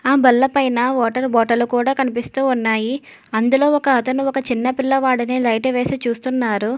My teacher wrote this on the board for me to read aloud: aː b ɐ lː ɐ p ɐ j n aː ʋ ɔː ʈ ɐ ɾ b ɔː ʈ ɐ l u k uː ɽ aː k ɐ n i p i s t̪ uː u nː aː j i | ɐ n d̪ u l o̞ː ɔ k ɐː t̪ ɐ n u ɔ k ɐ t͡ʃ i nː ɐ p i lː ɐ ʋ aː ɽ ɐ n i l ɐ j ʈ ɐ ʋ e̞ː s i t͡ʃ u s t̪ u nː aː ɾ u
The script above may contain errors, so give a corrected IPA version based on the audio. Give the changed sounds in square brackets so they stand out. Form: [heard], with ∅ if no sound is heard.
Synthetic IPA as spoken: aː b ɐ lː ɐ p ɐ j n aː ʋ ɔː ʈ ɐ ɾ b ɔː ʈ ɐ l u k uː ɽ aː k ɐ n i p i s t̪ uː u nː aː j i | ɐ n d̪ u l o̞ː ɔ k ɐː t̪ ɐ n u ɔ k ɐ t͡ʃ i nː ɐ p i lː ɐ ʋ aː ɽ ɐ n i l ɐ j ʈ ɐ ʋ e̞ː s i t͡ʃ [uː] s t̪ u nː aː ɾ u